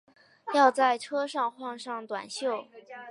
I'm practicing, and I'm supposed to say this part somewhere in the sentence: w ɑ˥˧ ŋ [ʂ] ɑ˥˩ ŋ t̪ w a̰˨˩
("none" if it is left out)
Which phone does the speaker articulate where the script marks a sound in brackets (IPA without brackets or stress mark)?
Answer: ʂ